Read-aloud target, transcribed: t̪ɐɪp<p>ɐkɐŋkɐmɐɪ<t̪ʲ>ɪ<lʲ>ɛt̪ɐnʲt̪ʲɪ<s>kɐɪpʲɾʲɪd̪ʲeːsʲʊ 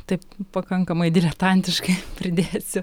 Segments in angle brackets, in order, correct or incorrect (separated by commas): correct, incorrect, correct, incorrect